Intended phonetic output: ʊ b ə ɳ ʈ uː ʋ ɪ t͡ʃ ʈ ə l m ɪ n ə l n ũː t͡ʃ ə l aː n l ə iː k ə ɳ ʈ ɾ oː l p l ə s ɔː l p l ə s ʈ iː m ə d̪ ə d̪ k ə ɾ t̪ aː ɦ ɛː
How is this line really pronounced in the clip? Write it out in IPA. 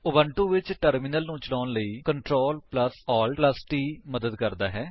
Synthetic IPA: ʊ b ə ɳ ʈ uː ʋ ɪ t͡ʃ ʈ ə ɾ m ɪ n ə l n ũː t͡ʃ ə l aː n l ə iː k ə ɳ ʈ ɾ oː l p l ə s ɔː l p l ə s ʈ iː m ə d̪ ə d̪ k ə ɾ d̪ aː ɦ ɛː